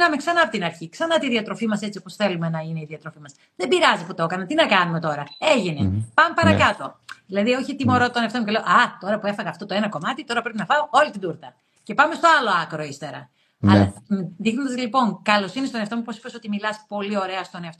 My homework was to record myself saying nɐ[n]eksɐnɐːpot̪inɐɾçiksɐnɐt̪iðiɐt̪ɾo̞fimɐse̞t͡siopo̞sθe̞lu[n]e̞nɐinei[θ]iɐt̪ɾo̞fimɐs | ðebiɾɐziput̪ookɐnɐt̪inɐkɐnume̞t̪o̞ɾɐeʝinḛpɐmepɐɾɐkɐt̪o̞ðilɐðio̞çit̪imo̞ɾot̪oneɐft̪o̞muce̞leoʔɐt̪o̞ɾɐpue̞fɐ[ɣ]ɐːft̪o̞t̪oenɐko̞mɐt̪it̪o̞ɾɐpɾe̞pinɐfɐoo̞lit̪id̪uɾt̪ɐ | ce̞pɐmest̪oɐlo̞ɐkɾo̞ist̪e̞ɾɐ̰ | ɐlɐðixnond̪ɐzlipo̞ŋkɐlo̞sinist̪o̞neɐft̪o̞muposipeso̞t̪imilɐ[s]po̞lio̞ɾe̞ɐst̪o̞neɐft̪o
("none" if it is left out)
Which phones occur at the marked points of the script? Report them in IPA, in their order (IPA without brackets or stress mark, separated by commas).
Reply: m, m, ð, ɣ, s